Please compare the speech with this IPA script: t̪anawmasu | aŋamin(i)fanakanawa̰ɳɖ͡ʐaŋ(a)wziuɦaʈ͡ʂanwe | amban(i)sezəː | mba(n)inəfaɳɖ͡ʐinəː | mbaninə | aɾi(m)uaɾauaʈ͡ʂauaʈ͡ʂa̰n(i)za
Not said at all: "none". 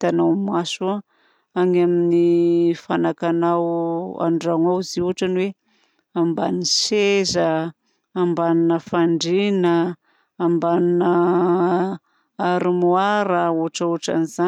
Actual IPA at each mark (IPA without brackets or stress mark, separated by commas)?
i, a, i, n, m, i